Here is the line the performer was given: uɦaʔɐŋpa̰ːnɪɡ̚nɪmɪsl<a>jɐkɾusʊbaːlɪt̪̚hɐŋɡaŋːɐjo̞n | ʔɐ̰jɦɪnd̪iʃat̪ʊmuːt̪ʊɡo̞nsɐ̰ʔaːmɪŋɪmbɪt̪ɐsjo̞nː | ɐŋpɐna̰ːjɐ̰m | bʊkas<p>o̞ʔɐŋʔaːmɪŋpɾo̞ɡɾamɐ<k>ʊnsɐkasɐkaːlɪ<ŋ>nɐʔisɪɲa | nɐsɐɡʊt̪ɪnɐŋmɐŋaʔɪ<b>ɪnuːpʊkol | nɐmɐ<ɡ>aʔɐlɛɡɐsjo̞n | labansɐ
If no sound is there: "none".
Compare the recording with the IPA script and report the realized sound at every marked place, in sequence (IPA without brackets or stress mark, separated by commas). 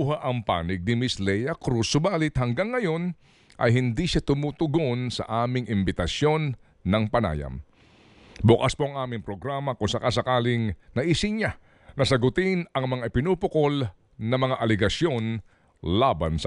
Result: ɛ, p, k, ŋ, p, ŋ